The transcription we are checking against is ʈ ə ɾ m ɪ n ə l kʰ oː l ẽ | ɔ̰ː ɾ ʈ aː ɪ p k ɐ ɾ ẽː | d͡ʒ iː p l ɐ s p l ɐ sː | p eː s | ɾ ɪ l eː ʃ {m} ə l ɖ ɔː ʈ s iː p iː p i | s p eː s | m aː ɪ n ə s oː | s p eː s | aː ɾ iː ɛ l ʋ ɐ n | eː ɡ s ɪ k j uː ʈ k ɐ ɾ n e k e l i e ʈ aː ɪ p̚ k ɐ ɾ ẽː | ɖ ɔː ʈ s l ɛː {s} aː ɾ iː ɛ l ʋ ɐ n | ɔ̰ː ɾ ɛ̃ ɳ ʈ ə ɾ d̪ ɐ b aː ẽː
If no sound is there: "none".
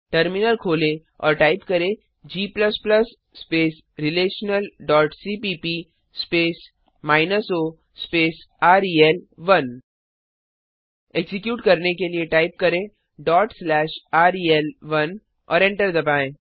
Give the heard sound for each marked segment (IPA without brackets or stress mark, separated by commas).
n, ʃ